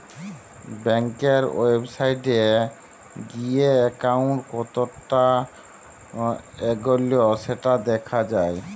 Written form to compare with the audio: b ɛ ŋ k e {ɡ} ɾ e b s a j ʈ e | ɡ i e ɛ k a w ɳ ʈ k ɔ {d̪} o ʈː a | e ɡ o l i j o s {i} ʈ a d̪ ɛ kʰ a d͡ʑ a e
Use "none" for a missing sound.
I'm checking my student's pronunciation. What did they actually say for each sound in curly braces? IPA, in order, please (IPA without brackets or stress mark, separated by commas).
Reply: none, t̪, e